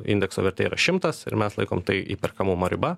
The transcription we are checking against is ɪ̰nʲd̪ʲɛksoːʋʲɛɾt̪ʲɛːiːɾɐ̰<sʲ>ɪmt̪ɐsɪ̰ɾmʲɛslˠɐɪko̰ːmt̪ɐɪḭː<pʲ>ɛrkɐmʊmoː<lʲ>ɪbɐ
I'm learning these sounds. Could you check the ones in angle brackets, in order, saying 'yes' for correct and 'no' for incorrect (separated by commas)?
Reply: no, yes, no